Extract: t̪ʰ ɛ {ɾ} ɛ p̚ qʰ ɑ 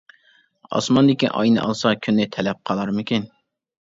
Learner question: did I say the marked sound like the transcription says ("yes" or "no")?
no